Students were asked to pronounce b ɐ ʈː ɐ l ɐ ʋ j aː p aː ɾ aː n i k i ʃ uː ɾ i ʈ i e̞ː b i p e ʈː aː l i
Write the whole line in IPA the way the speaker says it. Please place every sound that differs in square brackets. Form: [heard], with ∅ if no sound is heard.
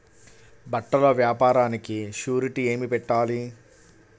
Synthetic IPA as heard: b ɐ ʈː ɐ l ɐ ʋ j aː p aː ɾ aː n i k i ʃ uː ɾ i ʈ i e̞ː [m] i p [ɛ] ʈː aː l i